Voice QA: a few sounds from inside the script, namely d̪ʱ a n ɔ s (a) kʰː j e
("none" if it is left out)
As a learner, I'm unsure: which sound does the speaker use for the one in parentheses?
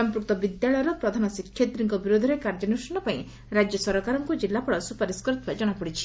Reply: i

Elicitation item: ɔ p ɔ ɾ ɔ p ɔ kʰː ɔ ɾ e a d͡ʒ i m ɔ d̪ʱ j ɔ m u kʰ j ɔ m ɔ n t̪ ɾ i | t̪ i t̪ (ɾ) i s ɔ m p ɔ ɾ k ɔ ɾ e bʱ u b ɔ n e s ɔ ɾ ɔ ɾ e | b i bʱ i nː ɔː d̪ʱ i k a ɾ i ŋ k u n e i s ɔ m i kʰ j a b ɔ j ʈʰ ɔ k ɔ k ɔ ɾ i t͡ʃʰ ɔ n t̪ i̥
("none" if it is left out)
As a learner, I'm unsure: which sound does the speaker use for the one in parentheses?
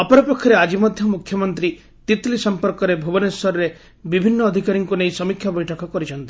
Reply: l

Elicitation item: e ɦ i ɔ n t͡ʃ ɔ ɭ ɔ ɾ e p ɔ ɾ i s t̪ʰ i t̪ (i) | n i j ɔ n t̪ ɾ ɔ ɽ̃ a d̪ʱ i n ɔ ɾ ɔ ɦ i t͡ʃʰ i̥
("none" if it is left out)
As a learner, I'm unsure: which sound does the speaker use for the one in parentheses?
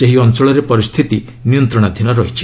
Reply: i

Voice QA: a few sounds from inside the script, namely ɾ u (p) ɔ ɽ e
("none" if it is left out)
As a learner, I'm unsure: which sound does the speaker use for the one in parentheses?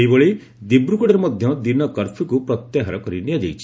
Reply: k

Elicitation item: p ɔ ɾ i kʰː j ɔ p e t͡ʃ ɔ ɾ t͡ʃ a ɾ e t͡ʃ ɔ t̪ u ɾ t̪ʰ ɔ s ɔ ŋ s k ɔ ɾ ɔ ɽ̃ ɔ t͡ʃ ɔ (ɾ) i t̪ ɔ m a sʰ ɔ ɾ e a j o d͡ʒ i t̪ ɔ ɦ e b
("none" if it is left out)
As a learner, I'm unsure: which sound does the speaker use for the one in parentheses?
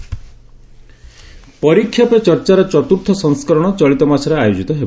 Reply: ɭ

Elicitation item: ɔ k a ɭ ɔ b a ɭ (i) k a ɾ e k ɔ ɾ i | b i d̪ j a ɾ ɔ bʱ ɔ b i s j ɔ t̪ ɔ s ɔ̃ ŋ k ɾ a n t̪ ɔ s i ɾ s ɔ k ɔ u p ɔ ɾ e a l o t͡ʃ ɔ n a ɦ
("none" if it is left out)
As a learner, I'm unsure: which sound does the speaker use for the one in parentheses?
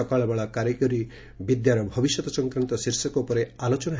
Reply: a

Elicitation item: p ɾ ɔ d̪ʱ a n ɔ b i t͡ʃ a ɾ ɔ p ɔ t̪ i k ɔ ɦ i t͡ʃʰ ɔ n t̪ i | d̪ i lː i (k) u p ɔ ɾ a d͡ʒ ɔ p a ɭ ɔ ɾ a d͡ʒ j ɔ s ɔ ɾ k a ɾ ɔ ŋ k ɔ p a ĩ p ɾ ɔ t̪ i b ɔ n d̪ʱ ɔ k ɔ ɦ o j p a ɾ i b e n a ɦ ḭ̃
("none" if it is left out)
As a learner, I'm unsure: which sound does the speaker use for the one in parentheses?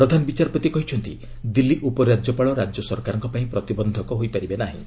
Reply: ʔ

